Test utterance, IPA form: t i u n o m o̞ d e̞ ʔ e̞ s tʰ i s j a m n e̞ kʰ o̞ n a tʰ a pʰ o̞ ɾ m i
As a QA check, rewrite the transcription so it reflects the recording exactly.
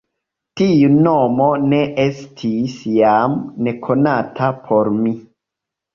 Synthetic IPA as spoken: t i u n o m o̞ n e̞ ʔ e̞ s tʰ i s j a m n e̞ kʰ o̞ n a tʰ a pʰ o̞ ɾ m i